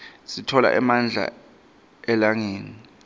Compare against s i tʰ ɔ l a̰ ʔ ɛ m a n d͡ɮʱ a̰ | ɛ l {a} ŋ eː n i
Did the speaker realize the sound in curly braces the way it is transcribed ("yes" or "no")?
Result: yes